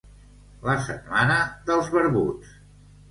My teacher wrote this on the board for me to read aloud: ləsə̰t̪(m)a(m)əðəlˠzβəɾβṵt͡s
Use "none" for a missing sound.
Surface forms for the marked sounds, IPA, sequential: m, n

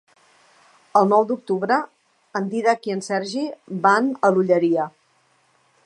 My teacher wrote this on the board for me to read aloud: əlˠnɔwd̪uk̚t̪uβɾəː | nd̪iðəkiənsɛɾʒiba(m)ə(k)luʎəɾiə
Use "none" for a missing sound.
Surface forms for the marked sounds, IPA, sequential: n, none

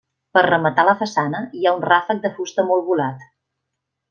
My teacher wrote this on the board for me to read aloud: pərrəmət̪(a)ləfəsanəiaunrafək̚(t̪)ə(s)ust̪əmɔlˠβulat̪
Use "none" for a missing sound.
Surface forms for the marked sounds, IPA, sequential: a, d̪, f

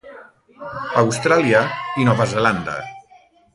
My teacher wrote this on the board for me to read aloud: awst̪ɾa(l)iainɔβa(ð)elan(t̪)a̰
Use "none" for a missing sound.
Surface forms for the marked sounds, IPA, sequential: l, z, d̪

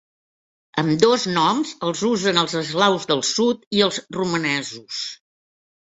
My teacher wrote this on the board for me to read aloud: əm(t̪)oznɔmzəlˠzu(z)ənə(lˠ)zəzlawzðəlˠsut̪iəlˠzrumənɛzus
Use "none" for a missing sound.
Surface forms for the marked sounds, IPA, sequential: d̪, z, lˠ

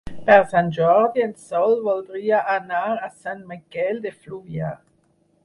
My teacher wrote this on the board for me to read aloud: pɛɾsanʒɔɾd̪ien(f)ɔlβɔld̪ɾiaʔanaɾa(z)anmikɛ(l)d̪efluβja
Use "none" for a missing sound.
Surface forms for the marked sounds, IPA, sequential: s, s, l

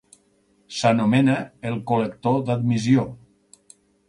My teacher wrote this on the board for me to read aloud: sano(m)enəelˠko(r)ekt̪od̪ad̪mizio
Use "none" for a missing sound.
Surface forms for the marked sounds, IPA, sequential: m, l

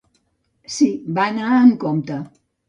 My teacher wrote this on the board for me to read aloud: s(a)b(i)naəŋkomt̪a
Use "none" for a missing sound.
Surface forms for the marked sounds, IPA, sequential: i, a

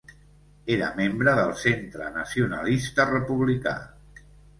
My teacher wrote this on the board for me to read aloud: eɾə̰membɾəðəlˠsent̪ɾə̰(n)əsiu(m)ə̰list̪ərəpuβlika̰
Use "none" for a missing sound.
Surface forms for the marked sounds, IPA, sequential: n, n

